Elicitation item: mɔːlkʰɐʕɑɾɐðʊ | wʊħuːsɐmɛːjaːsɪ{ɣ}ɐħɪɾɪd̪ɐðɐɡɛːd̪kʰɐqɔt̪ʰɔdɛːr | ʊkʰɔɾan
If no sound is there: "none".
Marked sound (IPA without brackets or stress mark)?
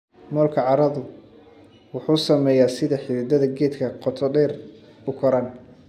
ð